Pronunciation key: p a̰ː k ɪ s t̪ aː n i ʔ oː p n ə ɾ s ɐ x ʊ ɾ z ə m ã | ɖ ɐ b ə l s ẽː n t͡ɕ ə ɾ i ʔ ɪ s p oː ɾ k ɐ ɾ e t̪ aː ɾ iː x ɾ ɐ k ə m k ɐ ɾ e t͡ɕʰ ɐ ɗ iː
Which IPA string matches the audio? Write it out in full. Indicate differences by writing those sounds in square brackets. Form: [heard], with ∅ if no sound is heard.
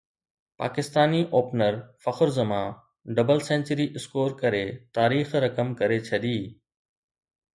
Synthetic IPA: p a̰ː k ɪ s t̪ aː n i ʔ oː p n ə ɾ [f] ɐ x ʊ ɾ z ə m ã | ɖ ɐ b ə l s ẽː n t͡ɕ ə ɾ i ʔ ɪ s [k] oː ɾ k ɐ ɾ e t̪ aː ɾ iː x ɾ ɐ k ə m k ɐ ɾ e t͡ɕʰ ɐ ɗ iː